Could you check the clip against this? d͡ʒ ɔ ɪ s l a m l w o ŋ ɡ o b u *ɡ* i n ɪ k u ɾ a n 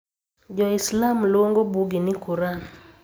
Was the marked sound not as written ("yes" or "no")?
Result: no